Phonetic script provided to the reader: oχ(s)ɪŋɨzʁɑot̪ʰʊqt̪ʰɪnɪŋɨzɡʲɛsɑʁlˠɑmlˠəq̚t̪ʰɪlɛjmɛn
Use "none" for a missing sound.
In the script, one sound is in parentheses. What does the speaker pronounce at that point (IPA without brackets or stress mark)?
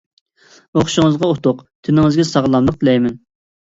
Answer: ʃ